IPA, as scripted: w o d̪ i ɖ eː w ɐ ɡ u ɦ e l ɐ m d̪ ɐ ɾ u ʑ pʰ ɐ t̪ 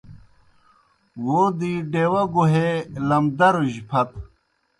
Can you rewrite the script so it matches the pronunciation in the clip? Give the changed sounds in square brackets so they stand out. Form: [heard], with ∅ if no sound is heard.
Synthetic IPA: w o d̪ i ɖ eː w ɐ ɡ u ɦ e l ɐ m d̪ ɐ ɾ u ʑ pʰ ɐ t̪

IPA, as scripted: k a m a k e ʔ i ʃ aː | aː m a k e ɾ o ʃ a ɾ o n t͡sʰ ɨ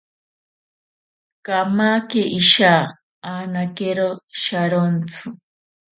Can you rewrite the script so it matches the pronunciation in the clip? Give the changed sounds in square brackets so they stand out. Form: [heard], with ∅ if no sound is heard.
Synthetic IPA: k a m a k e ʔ i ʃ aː | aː [n] a k e ɾ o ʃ a ɾ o n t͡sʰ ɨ

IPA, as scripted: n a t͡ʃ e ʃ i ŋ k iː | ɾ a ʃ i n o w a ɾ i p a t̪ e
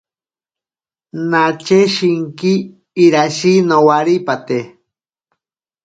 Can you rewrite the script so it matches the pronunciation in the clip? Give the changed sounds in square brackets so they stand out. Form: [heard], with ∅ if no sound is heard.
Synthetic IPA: n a t͡ʃ e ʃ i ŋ k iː | ɾ a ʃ i n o w a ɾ i p a t̪ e

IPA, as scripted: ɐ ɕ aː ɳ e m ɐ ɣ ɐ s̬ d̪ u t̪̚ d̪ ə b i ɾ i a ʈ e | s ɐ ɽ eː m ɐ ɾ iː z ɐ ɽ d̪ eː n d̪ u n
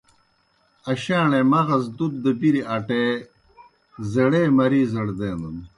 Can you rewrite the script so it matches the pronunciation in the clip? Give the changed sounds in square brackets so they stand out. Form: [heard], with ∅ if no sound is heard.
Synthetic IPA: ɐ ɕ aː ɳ e m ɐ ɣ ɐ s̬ d̪ u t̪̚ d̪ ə b i ɾ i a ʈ e | [z] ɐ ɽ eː m ɐ ɾ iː z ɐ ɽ d̪ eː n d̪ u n

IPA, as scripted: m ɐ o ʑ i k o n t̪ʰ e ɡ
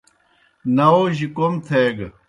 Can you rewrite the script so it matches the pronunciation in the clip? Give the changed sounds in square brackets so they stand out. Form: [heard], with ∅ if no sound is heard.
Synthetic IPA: [n] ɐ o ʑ i k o [m] t̪ʰ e ɡ

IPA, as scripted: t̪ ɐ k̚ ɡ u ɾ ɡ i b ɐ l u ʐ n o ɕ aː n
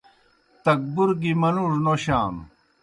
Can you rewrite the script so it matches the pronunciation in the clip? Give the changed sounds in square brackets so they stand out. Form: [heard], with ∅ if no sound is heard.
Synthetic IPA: t̪ ɐ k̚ [b] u ɾ ɡ i [m] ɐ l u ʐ n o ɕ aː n

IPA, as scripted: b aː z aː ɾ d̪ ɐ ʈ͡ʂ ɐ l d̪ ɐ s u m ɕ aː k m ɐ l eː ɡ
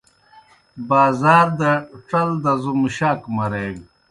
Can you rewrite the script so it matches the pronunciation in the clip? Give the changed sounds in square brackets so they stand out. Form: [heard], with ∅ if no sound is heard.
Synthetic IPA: b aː z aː ɾ d̪ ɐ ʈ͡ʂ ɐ l d̪ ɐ [z] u m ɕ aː k m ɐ [ɾ] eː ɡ

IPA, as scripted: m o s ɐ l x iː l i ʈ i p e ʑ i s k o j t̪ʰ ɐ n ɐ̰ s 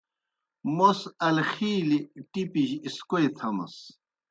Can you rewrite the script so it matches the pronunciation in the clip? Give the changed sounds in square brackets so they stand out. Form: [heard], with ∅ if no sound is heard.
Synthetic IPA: m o s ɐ l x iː l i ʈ i p [i] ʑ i s k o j t̪ʰ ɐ [m] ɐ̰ s

